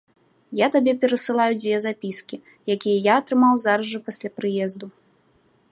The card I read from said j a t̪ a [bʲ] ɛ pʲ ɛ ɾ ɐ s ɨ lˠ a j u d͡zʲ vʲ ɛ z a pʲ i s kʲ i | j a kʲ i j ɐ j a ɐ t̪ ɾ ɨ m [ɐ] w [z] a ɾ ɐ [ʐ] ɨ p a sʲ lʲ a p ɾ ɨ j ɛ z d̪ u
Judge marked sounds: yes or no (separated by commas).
yes, no, yes, yes